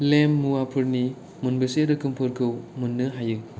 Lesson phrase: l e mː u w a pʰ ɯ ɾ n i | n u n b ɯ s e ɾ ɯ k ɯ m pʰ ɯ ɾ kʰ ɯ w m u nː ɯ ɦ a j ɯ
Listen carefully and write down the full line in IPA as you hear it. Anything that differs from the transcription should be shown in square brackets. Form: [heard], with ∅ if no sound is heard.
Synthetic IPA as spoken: l e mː u w a pʰ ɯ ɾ n i | [m] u n b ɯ s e ɾ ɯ k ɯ m pʰ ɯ ɾ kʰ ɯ w m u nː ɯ ɦ a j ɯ